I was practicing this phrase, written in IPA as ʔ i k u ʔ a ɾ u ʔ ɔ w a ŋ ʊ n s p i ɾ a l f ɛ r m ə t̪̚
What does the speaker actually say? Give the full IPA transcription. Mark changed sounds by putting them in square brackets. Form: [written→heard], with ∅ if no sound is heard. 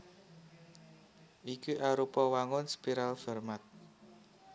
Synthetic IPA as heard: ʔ i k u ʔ a ɾ u [ʔ→p] ɔ w a ŋ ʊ n s p i ɾ a l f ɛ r m [ə→a] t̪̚